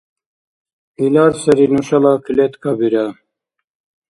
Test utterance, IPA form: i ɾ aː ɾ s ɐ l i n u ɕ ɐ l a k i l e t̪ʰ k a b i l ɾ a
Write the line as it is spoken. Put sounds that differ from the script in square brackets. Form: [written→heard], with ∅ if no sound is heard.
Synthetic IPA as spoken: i [ɾ→l] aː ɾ s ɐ [l→ɾ] i n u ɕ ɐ l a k i l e [t̪ʰ→t̪] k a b i [l→∅] ɾ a